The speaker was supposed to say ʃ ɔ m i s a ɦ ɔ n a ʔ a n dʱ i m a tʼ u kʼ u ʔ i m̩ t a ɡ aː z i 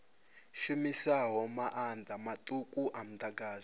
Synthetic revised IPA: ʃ u m i s a ɦ ɔ m a ʔ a n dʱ a m a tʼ u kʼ u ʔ a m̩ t a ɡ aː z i